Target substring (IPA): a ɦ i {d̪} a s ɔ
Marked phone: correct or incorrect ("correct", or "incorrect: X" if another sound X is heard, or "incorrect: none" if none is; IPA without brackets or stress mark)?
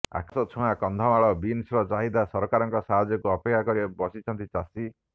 correct